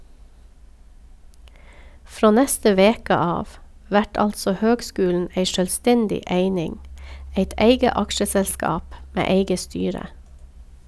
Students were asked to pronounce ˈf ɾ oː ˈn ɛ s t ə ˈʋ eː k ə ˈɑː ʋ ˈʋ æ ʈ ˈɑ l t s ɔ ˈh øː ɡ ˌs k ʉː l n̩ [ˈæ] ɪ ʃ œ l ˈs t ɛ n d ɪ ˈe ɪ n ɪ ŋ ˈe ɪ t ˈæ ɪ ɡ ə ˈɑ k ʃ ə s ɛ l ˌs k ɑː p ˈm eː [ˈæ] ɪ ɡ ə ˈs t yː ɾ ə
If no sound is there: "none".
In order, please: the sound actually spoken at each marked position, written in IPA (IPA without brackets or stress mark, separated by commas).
e, e